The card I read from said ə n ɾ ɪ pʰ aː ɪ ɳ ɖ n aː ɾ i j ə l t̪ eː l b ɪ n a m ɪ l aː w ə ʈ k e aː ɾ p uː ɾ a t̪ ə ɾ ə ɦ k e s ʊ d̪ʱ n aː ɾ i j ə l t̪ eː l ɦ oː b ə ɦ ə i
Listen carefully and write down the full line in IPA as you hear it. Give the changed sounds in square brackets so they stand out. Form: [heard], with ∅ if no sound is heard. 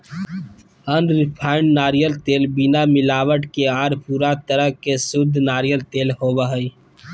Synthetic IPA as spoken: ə n ɾ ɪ pʰ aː ɪ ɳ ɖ n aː ɾ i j ə l t̪ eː l b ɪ n a m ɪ l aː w ə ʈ k e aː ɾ p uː ɾ a t̪ ə ɾ ə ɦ k e s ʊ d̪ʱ n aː ɾ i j ə l t̪ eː l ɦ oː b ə ɦ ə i